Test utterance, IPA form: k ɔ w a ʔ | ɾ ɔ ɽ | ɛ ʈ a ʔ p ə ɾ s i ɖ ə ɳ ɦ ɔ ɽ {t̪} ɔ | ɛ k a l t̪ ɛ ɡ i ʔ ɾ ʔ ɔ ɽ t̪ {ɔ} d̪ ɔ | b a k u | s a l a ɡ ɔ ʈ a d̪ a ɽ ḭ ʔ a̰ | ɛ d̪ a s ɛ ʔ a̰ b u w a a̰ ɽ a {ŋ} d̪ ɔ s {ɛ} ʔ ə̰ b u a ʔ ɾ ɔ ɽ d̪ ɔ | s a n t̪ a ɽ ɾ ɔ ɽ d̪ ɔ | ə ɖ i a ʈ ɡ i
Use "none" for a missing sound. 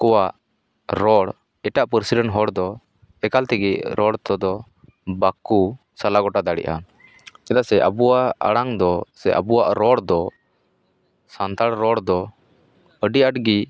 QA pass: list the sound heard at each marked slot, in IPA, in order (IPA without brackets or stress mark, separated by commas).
d̪, ɔ, ŋ, ɛ